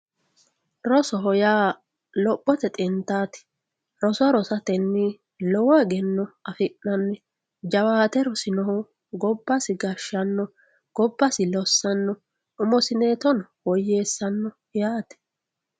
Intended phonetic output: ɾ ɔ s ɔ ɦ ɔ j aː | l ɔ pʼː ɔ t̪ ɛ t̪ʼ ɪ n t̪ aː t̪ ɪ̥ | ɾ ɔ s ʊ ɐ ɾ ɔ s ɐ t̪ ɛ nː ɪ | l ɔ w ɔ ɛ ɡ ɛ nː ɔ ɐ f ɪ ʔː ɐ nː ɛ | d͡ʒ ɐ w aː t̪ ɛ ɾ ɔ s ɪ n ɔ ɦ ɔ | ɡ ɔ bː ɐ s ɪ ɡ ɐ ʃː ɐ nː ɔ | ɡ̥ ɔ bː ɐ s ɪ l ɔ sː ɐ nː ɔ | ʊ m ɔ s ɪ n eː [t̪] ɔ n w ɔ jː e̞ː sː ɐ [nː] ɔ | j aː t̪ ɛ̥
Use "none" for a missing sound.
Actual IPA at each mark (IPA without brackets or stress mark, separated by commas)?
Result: t̪, nː